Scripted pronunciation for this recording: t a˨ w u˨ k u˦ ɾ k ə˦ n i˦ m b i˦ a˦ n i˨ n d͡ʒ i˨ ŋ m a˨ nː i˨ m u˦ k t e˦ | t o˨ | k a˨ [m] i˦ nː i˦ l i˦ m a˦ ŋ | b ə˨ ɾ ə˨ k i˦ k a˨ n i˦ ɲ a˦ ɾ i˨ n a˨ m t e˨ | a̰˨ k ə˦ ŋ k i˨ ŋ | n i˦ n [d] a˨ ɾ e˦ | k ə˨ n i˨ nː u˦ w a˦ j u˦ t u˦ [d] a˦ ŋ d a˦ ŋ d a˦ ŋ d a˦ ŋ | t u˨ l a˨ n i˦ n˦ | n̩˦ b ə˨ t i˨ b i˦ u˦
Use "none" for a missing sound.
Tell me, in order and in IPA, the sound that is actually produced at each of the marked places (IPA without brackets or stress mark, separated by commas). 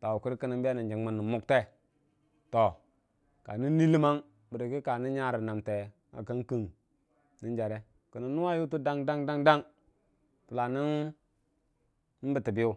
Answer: n, d͡ʒ, d